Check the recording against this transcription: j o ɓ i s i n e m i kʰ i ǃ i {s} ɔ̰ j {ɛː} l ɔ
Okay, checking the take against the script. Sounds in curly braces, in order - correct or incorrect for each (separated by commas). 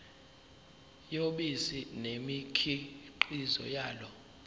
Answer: incorrect, incorrect